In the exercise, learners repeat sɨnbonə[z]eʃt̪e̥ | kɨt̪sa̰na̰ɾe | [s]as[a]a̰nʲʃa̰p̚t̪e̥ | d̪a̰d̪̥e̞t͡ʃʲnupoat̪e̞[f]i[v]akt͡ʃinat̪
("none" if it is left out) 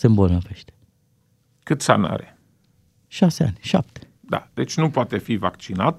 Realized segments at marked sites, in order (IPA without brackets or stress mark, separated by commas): v, ʃ, e, f, v